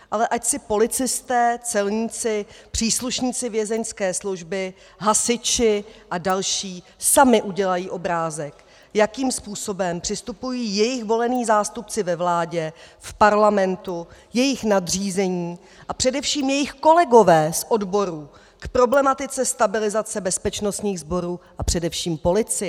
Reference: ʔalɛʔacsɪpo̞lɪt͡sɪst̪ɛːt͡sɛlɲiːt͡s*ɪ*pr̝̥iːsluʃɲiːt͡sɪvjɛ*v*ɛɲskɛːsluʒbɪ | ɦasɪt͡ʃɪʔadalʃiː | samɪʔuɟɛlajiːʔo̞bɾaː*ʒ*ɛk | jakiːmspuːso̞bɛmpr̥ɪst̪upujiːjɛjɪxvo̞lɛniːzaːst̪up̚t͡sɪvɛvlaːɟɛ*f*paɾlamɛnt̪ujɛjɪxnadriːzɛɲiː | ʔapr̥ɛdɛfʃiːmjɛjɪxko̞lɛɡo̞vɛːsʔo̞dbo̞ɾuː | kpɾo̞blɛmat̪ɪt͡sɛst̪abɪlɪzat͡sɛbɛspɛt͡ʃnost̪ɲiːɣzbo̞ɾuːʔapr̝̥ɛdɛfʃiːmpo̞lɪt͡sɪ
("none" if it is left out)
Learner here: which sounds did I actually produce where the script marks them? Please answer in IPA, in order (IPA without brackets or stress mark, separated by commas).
ɪ, z, z, f